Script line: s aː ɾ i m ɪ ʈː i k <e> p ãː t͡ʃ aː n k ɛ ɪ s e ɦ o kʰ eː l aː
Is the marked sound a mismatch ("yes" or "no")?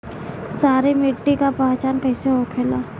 yes